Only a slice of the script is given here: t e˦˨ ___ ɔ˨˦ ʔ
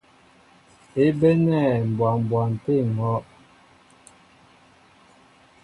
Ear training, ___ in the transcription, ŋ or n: ŋ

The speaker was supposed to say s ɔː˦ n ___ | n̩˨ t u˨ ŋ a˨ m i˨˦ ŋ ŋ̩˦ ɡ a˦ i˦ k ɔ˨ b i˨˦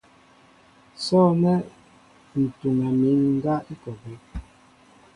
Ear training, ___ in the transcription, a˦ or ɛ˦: ɛ˦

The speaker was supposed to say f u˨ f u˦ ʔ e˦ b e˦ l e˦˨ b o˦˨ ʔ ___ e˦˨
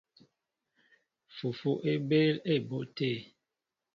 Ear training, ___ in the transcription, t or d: t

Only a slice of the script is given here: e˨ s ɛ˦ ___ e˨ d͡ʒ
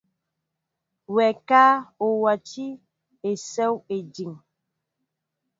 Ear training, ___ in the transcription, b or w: w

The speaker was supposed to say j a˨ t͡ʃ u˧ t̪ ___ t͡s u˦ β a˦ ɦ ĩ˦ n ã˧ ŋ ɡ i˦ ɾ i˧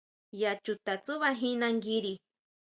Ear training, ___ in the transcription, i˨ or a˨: a˨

